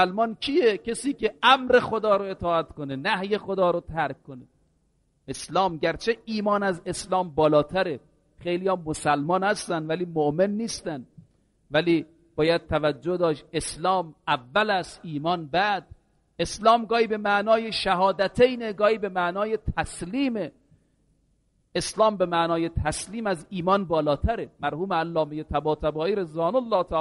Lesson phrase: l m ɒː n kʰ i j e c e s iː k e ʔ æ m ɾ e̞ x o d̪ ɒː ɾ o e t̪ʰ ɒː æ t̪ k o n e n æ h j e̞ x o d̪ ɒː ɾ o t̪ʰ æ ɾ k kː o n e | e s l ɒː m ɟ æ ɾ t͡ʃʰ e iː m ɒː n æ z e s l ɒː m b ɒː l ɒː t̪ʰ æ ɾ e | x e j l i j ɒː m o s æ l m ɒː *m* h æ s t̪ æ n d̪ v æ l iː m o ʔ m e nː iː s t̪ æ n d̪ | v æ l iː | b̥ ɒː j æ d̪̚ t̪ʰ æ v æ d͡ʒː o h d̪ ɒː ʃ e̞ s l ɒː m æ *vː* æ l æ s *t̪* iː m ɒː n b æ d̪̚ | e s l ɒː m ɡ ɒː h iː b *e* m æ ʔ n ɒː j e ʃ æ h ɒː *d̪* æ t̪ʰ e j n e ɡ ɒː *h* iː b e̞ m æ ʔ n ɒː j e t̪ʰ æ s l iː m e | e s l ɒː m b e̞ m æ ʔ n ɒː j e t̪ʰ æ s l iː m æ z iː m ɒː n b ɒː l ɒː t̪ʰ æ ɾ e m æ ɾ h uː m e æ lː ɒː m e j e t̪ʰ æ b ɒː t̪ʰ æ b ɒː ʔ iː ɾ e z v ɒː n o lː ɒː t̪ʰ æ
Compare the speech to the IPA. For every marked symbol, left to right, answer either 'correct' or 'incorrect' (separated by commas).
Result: incorrect, correct, correct, correct, correct, correct